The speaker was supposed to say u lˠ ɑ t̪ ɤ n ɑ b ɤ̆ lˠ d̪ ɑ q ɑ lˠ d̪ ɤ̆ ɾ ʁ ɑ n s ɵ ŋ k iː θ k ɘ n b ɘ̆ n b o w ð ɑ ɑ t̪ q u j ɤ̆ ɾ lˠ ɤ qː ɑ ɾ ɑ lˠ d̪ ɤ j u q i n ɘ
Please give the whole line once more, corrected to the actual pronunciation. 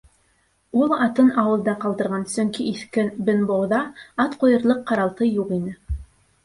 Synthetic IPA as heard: u lˠ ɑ t̪ ɤ n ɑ w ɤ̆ lˠ d̪ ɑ q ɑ lˠ d̪ ɤ̆ ɾ ʁ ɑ n s ɵ ŋ k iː θ k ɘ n b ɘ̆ n b o w ð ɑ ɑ t̪ q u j ɤ̆ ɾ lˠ ɤ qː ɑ ɾ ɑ lˠ t̪ ɤ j u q i n ɘ